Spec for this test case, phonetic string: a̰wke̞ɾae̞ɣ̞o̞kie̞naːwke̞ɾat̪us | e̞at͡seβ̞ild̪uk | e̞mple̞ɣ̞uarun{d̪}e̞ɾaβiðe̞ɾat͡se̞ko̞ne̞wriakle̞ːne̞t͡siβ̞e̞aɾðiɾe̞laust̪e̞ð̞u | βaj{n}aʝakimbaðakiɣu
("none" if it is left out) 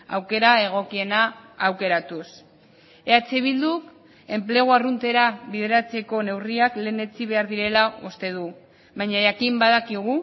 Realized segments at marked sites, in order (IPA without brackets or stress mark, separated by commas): t̪, ɲ